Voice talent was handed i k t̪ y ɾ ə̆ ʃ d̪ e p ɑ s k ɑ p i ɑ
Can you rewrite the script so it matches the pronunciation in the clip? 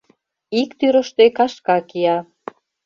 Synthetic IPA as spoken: i k t̪ y ɾ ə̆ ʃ t̪ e k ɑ ʃ k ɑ k i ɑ